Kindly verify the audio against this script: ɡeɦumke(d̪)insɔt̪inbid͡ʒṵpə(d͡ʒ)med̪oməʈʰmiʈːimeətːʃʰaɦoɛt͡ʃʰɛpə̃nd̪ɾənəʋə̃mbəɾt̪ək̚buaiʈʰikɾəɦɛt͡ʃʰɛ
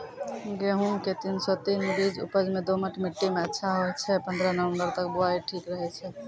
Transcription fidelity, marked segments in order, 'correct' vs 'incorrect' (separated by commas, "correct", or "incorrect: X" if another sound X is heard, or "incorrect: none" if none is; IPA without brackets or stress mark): incorrect: t̪, correct